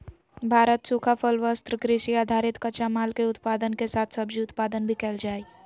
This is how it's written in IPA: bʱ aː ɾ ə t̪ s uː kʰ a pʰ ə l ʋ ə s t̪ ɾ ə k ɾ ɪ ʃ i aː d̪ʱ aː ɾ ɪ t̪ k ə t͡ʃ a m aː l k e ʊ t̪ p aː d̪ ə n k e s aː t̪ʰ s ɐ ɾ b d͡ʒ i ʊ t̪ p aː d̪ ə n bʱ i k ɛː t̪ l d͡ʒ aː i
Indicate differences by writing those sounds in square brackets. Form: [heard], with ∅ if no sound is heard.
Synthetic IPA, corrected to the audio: bʱ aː ɾ ə t̪ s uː kʰ a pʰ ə l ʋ ə s t̪ ɾ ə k ɾ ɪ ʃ i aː d̪ʱ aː ɾ ɪ t̪ k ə t͡ʃ a m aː l k e ʊ t̪ p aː d̪ ə n k e s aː t̪ʰ s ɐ [∅] b d͡ʒ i ʊ t̪ p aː d̪ ə n bʱ i k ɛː [∅] l d͡ʒ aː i